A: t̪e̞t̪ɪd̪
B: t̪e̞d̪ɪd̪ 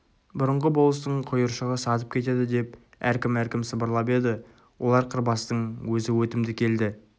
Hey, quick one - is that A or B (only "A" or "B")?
B